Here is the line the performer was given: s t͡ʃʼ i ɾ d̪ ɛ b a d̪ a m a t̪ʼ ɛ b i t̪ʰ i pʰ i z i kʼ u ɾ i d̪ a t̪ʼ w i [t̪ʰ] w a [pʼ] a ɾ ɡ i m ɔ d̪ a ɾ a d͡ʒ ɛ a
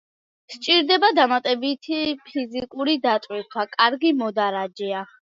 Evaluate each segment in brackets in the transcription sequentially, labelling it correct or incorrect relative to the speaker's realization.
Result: correct, incorrect: kʼ

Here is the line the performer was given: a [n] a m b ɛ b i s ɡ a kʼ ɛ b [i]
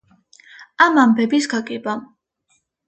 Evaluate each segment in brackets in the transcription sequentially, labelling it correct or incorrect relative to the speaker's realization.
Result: incorrect: m, incorrect: a

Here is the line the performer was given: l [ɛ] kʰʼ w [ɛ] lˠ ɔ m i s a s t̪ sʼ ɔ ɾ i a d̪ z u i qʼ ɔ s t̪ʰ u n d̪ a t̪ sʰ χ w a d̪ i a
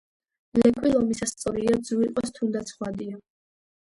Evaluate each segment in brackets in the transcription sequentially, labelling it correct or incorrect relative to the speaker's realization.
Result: correct, incorrect: i

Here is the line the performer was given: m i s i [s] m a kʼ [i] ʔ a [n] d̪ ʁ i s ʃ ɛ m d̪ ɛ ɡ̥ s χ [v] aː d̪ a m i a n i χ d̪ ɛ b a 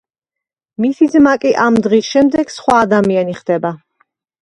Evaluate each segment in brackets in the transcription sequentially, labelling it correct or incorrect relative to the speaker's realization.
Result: incorrect: z, correct, incorrect: m, incorrect: w

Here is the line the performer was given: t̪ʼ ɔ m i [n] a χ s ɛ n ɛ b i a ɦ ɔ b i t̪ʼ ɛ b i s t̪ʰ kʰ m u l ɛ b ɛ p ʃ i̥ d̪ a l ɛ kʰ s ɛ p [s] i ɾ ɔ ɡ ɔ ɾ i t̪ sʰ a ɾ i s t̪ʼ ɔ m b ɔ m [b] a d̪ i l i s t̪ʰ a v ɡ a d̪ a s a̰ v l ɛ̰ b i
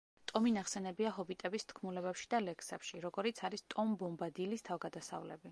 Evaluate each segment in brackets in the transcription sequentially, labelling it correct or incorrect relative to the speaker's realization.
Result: correct, incorrect: ʃ, correct

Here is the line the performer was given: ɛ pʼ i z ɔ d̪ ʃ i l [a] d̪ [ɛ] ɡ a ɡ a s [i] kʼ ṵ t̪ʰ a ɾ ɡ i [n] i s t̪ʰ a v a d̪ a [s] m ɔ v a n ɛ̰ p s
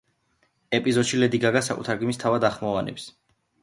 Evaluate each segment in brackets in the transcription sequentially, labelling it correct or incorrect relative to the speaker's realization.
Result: incorrect: ɛ, incorrect: i, incorrect: a, incorrect: m, incorrect: χ

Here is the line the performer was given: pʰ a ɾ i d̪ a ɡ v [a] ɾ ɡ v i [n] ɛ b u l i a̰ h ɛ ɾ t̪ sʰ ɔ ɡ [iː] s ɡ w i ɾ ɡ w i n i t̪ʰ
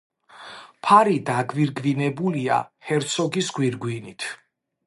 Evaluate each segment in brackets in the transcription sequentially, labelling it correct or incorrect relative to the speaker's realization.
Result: incorrect: i, correct, incorrect: i

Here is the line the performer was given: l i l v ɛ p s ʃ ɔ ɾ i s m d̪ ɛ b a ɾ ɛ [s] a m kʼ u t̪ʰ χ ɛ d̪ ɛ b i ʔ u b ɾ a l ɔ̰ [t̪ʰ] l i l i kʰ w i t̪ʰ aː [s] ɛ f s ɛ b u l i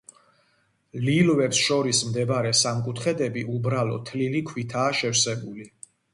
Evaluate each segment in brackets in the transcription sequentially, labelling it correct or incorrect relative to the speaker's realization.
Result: correct, correct, incorrect: ʃ

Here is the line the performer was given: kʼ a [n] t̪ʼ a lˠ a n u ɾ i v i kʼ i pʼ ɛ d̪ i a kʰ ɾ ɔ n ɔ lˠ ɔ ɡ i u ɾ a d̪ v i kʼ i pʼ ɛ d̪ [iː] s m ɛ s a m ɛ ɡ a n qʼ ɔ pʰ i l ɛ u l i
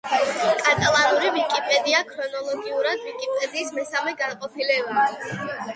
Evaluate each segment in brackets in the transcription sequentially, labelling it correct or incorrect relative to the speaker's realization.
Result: incorrect: none, correct

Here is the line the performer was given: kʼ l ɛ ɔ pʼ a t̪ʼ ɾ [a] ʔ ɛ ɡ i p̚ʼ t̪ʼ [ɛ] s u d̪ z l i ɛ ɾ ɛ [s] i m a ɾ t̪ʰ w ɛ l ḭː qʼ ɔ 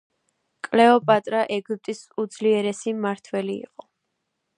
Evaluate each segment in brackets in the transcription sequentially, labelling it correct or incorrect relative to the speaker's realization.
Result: correct, incorrect: i, correct

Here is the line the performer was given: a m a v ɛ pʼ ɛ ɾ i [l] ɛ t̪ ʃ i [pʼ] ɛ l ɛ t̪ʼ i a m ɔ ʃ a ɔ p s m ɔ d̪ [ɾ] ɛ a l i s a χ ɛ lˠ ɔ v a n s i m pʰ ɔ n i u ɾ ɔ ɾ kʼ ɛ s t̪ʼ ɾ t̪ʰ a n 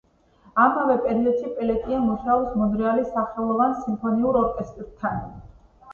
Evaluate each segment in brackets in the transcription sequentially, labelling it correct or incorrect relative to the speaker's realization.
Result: correct, correct, correct

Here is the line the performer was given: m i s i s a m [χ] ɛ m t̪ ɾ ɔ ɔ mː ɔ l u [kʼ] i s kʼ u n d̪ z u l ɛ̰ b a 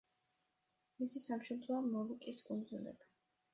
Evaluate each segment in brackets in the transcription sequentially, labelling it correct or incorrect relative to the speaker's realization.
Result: incorrect: ʃ, correct

